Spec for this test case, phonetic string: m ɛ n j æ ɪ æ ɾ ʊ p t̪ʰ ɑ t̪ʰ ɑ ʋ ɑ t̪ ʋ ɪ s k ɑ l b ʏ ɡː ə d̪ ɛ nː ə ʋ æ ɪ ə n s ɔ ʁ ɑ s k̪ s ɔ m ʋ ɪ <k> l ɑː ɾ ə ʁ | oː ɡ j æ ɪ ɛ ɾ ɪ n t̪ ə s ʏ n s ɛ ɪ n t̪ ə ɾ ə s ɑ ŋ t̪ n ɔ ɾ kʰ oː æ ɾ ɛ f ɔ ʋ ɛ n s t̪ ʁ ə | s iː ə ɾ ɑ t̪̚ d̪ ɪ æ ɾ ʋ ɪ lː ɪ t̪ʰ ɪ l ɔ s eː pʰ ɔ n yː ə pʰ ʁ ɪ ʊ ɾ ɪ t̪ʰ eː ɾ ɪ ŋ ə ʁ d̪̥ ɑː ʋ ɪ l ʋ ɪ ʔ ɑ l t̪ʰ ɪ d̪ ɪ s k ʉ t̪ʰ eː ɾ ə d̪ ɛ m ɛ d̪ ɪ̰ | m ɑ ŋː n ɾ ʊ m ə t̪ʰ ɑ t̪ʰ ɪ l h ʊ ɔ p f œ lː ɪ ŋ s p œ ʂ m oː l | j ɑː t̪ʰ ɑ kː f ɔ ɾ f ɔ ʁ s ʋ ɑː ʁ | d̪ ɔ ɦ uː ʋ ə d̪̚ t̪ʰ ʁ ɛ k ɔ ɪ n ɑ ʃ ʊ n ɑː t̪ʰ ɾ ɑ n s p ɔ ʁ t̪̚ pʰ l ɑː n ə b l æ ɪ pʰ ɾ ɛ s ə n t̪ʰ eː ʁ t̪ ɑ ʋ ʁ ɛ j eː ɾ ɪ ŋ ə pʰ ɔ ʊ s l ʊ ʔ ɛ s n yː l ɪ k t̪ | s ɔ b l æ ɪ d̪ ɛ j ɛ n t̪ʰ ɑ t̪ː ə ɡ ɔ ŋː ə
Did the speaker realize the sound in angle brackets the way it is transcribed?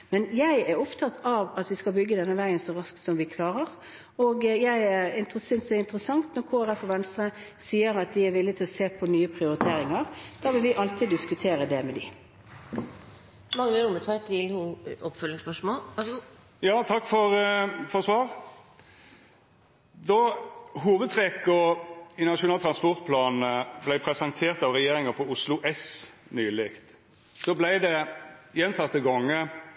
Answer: no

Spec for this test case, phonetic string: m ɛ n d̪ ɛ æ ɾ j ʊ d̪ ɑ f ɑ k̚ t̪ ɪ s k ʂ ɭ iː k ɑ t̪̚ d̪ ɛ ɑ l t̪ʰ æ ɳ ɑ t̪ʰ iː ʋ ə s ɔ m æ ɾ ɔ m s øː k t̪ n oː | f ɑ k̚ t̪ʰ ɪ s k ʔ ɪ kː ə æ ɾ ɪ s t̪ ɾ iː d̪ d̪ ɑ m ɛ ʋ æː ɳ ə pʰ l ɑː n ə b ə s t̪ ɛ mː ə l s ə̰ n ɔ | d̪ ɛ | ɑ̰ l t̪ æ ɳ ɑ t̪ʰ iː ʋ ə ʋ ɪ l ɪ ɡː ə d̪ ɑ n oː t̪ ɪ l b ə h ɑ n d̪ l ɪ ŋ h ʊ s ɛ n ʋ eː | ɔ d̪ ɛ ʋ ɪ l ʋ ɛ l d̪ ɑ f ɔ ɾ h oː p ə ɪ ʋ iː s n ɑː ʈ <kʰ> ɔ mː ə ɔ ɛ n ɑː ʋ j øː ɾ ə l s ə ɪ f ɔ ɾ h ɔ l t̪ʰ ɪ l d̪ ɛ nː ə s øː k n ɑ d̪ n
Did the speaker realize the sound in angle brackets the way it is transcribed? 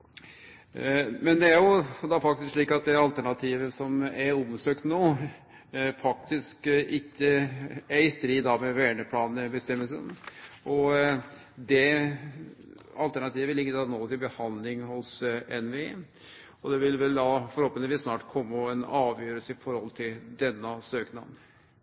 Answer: yes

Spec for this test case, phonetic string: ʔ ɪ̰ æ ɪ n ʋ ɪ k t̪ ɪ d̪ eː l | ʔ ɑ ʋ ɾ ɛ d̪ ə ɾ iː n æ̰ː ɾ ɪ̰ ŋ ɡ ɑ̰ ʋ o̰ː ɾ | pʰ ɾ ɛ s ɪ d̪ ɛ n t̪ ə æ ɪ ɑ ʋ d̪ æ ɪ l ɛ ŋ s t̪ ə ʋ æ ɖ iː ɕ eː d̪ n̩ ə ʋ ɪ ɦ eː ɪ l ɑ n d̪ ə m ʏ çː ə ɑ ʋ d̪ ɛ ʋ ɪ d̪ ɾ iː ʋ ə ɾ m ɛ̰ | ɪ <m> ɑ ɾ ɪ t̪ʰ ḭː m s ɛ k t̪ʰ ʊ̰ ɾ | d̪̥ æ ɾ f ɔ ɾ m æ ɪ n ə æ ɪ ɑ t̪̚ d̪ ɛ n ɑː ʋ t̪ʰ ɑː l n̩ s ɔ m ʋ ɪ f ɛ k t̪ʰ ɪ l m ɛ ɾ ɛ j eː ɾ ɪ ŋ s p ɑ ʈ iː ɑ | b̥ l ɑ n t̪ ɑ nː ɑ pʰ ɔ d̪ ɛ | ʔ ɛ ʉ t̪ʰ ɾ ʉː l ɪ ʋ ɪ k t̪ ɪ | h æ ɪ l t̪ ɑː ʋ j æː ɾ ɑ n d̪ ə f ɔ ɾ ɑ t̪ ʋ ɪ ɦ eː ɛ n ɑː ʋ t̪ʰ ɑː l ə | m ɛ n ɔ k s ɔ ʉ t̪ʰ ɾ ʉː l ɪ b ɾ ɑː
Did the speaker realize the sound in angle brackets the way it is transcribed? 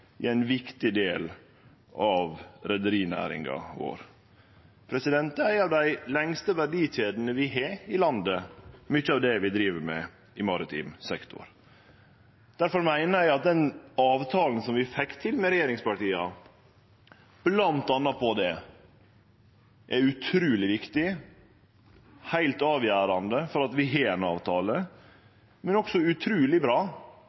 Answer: yes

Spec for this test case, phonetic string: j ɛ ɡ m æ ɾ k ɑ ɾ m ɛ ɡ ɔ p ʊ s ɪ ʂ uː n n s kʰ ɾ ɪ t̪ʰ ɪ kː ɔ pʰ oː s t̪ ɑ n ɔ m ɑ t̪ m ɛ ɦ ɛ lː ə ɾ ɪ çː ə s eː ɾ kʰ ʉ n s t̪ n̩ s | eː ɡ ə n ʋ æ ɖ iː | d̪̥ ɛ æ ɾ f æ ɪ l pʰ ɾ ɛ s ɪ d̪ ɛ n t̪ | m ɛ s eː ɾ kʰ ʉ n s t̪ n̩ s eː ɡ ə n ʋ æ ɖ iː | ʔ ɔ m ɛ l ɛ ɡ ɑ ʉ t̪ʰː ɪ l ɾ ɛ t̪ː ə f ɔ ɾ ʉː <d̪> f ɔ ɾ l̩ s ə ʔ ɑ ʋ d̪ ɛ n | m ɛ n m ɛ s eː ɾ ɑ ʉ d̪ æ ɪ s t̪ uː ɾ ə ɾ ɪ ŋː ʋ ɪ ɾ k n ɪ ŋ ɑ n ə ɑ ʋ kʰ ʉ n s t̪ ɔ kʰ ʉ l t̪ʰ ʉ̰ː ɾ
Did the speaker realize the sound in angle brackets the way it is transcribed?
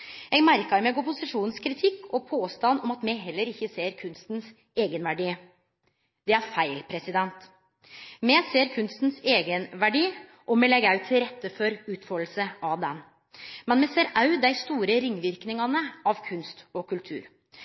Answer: no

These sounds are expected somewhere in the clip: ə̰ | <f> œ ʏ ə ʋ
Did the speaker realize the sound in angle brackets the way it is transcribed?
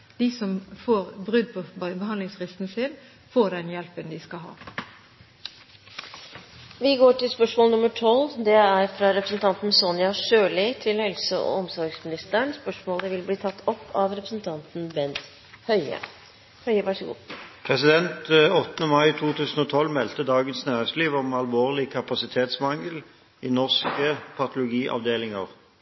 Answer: no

